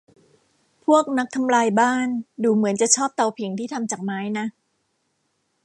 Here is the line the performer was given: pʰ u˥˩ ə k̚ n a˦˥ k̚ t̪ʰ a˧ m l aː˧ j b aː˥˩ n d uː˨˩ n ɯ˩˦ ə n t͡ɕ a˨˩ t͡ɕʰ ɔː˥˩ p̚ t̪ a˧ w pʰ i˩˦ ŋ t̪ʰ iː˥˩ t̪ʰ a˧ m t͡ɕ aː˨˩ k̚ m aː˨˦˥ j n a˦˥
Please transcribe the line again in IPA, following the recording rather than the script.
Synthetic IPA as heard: pʰ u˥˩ ə k̚ n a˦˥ k̚ t̪ʰ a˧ m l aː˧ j b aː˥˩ n d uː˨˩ m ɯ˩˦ ə n t͡ɕ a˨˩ t͡ɕʰ ɔː˥˩ p̚ t̪ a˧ w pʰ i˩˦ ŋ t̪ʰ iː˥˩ t̪ʰ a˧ m t͡ɕ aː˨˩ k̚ m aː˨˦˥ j n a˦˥